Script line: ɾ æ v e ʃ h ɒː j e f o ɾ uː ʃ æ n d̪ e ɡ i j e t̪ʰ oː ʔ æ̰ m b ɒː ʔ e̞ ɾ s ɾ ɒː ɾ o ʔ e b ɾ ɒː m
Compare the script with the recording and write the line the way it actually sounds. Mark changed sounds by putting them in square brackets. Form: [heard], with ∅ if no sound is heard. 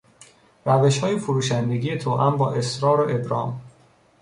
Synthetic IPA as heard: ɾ æ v e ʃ h ɒː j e f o ɾ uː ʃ æ n d̪ e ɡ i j e t̪ʰ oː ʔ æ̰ m b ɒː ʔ e̞ [∅] s ɾ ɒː ɾ o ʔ e b ɾ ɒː m